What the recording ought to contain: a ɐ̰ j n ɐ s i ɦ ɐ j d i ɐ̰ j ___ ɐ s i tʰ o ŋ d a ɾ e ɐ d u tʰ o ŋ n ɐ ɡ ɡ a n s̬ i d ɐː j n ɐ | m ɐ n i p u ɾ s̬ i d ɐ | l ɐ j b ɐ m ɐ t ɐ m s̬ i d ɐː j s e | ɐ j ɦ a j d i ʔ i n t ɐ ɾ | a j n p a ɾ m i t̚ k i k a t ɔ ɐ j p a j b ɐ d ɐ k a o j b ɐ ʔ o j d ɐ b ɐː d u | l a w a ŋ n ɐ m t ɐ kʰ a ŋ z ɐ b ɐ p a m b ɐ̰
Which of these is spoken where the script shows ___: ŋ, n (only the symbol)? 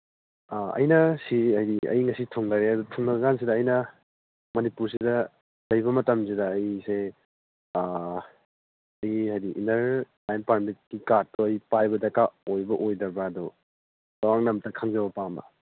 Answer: ŋ